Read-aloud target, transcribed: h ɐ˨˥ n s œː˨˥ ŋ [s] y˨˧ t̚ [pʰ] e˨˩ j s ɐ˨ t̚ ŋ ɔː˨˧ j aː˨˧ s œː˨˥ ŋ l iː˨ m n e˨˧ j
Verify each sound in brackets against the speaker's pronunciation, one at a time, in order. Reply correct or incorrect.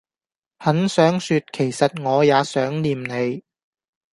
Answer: correct, incorrect

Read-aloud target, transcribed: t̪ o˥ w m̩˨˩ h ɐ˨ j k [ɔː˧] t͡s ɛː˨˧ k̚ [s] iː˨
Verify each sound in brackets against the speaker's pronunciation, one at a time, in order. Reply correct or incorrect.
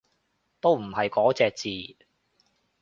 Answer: incorrect, incorrect

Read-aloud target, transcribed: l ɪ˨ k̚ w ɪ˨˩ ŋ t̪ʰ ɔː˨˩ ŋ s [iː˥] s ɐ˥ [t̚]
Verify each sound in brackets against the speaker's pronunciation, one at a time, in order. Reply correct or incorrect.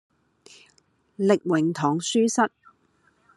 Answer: incorrect, correct

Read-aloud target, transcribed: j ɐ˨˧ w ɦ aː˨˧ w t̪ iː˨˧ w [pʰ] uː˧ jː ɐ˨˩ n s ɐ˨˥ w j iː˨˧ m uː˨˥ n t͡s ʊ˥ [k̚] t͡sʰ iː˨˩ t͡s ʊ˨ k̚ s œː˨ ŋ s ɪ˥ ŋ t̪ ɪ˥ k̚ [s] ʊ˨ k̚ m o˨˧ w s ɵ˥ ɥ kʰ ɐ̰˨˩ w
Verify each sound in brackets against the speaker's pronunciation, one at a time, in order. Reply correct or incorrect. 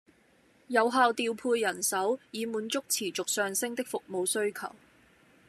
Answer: correct, correct, incorrect

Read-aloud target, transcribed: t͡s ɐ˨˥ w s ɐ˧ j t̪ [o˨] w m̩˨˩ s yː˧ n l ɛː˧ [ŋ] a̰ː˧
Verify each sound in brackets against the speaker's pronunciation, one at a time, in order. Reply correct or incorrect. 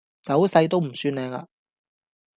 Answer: incorrect, correct

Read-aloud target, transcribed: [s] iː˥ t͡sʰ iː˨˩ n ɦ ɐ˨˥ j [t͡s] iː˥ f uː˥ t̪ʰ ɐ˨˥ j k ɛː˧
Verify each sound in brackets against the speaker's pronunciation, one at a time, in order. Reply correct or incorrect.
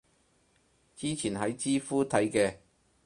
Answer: incorrect, correct

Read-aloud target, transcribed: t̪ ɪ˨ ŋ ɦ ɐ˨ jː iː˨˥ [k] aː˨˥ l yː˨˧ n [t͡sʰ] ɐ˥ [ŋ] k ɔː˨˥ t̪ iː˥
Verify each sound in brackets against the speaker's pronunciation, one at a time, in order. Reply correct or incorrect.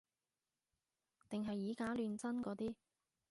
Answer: correct, incorrect, incorrect

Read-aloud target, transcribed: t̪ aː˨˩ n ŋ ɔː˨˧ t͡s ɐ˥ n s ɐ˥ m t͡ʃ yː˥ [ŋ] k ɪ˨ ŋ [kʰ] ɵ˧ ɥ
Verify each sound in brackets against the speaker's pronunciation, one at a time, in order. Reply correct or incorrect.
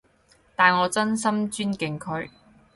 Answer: incorrect, correct

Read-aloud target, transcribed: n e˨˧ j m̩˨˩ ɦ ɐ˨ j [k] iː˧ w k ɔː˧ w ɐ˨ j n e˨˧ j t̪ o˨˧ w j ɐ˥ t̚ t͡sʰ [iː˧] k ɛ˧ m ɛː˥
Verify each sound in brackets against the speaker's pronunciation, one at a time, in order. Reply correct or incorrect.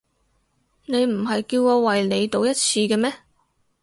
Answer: correct, correct

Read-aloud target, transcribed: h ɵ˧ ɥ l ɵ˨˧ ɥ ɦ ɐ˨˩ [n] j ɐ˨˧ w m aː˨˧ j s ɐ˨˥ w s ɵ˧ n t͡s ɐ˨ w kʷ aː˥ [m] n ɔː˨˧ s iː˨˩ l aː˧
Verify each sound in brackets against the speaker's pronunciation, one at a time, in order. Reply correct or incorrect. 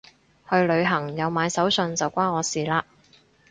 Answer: incorrect, incorrect

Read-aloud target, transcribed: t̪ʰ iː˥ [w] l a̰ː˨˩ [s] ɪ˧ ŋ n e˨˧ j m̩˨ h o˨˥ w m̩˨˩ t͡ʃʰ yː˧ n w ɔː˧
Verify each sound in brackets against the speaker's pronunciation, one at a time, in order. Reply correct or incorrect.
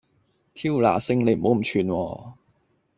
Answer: correct, correct

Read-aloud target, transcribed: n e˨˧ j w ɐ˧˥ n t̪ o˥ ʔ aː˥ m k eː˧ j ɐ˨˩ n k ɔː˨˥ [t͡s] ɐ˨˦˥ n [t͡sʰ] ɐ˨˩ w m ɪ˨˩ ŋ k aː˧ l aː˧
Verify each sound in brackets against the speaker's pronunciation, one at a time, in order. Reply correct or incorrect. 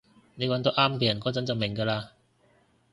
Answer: correct, incorrect

